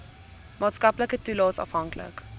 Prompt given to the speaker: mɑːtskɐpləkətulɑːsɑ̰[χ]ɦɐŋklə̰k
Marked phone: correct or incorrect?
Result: incorrect